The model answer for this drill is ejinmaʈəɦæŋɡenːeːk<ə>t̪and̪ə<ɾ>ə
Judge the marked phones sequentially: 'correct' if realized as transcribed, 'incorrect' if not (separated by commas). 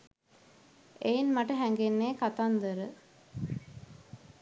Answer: incorrect, correct